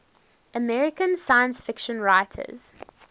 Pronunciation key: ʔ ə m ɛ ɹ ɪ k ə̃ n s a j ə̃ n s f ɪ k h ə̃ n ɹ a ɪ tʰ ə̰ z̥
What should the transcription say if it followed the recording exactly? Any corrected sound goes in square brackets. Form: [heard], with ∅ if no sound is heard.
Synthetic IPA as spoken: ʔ ə m ɛ ɹ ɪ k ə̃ n s a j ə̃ n s f ɪ k [ʃ] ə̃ n ɹ a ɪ tʰ ə̰ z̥